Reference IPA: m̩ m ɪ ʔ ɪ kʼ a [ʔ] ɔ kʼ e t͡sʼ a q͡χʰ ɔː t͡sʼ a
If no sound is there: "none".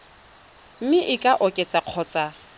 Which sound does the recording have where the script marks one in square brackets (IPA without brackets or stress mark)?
ʔ